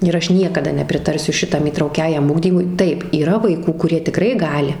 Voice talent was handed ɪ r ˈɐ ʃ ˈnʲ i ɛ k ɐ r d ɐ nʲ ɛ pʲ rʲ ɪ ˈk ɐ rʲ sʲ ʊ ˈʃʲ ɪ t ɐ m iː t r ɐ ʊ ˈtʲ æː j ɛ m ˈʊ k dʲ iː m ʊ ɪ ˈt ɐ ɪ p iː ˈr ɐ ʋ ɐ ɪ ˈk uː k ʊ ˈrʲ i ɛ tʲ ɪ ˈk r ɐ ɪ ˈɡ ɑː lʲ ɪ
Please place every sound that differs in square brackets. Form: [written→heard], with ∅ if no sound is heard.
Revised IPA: ɪ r ˈɐ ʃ ˈnʲ i ɛ k ɐ [r→∅] d ɐ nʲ ɛ pʲ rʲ ɪ [ˈk→ˈt] ɐ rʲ sʲ ʊ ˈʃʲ ɪ t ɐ m iː t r ɐ ʊ [ˈtʲ→ˈkʲ] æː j ɛ m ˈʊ [k→ɡ] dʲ iː m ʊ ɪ ˈt ɐ ɪ p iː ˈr ɐ ʋ ɐ ɪ ˈk uː k ʊ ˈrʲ i ɛ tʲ ɪ ˈk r ɐ ɪ ˈɡ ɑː lʲ ɪ